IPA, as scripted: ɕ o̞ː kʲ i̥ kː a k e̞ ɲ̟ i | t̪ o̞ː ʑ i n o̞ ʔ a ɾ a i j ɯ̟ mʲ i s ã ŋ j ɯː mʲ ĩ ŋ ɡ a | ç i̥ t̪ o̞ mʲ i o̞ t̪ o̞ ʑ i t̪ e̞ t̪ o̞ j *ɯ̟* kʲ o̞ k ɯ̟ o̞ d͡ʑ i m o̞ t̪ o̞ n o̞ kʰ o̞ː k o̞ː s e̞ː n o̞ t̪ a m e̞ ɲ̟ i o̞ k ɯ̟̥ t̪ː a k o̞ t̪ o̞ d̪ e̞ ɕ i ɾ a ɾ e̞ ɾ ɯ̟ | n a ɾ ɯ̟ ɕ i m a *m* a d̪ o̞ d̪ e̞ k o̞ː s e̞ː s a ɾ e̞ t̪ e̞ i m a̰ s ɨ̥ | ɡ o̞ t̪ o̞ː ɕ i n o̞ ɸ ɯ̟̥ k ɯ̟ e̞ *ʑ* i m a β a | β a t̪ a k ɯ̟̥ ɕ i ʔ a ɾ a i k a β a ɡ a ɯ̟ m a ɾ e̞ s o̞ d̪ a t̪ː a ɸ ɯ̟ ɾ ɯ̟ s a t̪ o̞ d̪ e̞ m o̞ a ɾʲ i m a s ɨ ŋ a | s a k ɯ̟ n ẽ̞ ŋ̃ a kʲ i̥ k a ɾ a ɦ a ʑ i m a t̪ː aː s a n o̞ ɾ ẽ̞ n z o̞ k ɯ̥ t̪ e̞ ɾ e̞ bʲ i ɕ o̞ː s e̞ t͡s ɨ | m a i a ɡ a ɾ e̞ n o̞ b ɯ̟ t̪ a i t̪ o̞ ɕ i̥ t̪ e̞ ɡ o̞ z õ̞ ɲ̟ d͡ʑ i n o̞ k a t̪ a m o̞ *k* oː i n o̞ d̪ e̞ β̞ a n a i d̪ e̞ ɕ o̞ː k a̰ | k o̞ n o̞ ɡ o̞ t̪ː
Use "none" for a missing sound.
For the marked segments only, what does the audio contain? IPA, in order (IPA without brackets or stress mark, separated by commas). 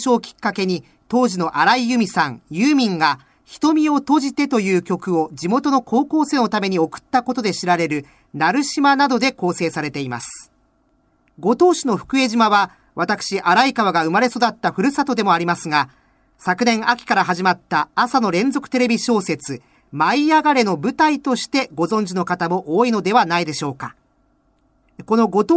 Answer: ɯ̟ː, n, ʑ, ʔ